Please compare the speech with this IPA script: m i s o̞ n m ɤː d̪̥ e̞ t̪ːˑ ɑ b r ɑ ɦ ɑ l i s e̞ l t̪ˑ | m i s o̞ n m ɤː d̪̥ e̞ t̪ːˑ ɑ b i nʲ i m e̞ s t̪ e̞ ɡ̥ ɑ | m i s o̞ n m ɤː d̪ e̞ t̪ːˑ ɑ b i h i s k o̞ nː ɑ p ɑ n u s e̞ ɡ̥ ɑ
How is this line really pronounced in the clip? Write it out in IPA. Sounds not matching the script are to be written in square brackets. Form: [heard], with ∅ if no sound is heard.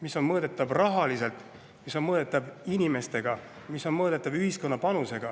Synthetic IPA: m i s o̞ n m ɤː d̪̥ e̞ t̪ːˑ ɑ b r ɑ ɦ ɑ l i s e̞ l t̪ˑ | m i s o̞ n m ɤː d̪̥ e̞ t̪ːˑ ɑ b i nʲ i m e̞ s t̪ e̞ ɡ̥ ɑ | m i s o̞ n m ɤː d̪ e̞ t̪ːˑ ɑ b [y] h i s k o̞ nː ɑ p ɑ n u s e̞ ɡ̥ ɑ